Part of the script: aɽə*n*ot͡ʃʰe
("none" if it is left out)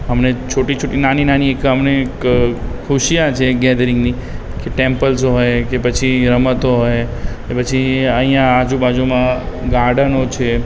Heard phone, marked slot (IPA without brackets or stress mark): n